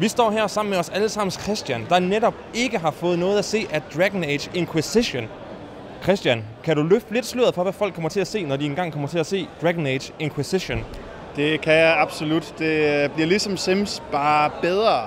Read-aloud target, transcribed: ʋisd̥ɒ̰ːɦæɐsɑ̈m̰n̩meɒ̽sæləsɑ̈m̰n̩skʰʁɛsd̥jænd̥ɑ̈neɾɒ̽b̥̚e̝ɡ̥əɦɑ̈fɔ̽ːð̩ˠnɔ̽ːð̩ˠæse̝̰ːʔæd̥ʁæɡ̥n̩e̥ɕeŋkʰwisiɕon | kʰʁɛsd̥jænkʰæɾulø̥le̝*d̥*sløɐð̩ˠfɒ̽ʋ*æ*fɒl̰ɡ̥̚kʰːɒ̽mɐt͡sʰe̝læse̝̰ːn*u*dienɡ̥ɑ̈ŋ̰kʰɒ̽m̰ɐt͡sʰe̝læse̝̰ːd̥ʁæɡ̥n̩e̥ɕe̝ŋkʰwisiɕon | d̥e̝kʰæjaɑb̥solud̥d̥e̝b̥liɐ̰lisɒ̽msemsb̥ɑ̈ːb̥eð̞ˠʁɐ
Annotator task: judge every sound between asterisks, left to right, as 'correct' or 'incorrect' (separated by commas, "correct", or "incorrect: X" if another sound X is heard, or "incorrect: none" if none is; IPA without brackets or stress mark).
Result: correct, correct, incorrect: ɒ